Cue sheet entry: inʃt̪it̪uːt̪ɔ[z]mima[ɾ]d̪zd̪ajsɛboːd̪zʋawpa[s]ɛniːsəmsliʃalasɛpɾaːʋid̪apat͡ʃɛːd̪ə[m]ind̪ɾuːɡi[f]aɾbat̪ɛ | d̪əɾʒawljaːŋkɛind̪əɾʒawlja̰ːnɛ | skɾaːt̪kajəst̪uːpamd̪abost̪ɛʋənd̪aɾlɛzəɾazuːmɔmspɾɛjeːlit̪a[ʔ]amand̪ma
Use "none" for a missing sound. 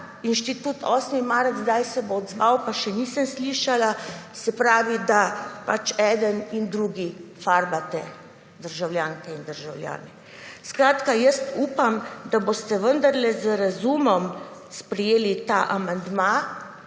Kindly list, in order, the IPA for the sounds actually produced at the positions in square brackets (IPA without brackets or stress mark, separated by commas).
s, ɾ, ʃ, n, f, ʔ